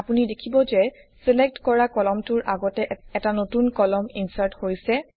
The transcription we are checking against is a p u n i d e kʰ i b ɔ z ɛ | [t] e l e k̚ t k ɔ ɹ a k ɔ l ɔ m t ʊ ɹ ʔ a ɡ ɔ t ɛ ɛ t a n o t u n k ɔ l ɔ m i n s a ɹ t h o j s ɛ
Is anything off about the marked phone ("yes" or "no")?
yes